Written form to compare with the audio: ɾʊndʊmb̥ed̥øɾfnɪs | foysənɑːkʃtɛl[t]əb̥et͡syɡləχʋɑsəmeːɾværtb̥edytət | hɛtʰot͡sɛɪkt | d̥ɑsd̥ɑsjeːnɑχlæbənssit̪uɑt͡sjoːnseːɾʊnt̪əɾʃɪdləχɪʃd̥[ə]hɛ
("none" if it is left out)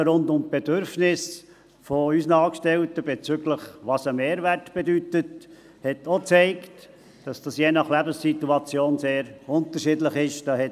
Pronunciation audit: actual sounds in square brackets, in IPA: t, ɑ

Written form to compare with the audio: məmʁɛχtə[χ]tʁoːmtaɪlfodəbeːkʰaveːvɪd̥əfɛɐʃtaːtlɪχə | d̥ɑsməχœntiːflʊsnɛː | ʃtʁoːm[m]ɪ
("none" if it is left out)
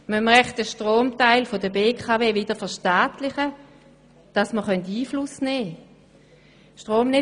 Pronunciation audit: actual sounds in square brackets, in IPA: ʃ, n

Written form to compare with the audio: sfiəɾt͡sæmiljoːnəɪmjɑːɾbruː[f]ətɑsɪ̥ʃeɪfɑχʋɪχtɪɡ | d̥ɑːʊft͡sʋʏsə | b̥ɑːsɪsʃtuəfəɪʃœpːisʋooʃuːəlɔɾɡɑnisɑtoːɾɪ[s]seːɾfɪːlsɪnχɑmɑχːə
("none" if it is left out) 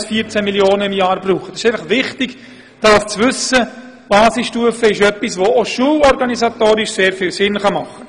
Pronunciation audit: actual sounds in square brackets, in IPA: χ, ʃ

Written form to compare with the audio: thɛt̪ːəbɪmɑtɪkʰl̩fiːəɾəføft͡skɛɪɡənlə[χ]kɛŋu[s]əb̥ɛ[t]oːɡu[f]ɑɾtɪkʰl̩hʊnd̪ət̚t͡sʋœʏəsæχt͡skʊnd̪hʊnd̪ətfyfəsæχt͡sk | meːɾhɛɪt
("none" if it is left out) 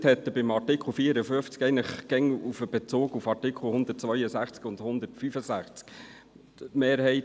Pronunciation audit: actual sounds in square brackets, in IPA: χ, f, t͡s, f

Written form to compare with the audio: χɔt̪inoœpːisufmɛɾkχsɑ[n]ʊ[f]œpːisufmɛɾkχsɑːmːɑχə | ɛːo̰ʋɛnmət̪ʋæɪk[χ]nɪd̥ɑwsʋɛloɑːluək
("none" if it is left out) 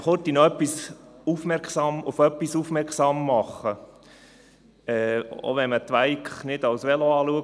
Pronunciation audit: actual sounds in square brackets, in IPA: m, f, χ

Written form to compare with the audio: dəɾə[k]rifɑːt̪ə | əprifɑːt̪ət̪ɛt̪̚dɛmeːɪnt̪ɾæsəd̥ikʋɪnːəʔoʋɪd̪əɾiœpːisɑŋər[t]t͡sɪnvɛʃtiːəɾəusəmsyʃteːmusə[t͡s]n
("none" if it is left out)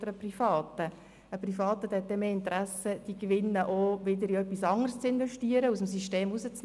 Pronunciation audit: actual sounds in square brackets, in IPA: p, s, t͡s

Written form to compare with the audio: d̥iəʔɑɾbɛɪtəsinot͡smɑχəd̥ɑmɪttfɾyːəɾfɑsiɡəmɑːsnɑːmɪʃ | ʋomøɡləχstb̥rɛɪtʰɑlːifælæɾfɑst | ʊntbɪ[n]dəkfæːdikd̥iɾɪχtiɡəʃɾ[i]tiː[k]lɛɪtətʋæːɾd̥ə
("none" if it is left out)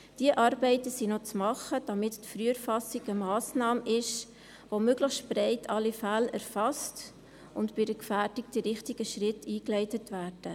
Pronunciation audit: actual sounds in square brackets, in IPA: none, ɪ, k

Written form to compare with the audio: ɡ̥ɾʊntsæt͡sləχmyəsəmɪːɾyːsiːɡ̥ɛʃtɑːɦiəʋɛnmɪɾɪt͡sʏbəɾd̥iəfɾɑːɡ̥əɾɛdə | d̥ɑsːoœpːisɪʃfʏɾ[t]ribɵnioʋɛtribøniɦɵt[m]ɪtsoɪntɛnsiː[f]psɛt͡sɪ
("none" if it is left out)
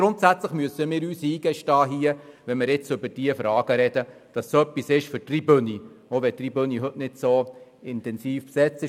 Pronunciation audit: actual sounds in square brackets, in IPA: t, n, f

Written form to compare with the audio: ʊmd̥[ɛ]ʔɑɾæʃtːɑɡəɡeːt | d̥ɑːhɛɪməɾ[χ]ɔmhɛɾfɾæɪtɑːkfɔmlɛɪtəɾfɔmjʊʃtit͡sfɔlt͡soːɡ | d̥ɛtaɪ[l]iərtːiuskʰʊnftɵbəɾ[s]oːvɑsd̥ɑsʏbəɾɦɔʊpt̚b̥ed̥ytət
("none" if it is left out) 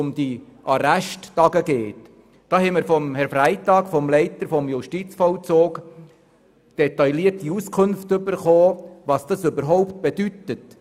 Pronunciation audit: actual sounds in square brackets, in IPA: i, f, l, χ

